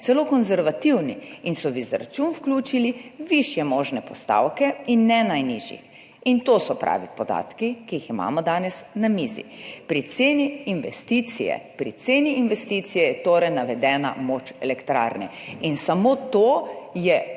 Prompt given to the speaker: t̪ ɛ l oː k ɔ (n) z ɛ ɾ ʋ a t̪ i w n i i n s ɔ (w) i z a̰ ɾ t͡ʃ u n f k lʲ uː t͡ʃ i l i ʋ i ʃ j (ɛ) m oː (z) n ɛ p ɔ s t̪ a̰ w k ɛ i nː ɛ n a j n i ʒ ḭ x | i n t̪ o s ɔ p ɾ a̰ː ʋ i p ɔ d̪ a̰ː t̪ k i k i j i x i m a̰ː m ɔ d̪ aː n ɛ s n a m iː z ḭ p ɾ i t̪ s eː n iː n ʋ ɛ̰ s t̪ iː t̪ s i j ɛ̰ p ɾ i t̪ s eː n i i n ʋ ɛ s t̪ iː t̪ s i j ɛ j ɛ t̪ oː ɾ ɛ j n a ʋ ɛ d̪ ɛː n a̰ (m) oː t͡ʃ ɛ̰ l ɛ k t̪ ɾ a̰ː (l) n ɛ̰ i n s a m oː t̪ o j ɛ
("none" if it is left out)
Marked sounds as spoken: n, ʋ, ɛ, ʒ, m, ɾ

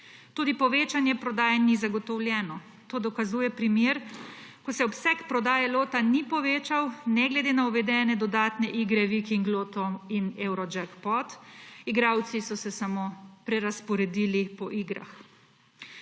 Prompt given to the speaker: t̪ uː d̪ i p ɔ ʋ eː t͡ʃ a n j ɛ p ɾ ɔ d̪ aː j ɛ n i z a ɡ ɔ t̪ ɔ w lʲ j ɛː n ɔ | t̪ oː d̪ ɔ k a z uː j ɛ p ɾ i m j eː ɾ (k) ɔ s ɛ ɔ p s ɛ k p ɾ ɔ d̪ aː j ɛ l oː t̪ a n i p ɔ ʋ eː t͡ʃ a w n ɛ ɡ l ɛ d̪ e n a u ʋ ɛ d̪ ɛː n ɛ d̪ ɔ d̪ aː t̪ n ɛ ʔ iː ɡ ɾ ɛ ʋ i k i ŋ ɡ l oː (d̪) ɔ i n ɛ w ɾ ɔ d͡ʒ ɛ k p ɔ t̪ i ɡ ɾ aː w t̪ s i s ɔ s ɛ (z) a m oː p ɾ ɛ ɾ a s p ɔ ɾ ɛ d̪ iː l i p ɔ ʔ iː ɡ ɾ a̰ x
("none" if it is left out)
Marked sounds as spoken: k, t̪, s

